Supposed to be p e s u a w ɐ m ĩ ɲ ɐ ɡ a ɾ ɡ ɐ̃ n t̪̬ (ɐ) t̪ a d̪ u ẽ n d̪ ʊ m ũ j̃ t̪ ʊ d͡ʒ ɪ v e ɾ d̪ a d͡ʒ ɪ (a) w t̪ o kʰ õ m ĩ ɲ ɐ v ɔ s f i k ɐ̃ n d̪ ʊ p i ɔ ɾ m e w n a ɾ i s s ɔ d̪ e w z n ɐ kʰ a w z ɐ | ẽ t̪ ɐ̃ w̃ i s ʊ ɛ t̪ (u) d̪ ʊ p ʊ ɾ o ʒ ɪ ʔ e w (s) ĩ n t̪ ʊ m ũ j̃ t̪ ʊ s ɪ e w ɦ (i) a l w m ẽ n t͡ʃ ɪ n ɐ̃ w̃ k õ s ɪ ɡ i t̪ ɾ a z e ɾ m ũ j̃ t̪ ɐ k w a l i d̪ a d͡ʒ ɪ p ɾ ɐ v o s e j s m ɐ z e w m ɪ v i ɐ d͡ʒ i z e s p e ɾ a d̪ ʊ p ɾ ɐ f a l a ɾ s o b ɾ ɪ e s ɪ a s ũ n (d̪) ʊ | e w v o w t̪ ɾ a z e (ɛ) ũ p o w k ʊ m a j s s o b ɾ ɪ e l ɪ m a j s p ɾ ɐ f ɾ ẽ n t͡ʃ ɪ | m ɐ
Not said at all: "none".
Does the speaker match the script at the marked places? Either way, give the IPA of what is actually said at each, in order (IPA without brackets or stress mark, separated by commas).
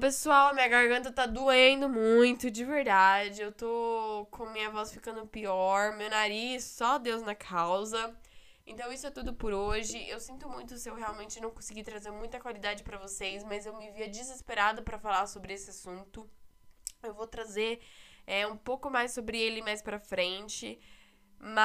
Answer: ɐ, e, u, s, e, t̪, ɛ